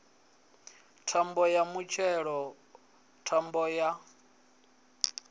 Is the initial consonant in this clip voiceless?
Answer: yes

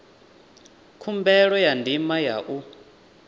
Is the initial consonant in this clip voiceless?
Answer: yes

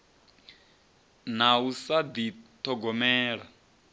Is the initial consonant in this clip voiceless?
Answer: no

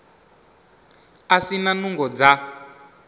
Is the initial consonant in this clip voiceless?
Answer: yes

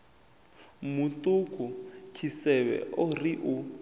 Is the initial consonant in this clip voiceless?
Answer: no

